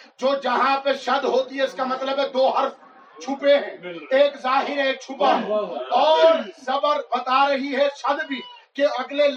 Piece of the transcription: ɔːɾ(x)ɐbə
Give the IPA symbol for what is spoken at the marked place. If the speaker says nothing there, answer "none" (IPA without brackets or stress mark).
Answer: s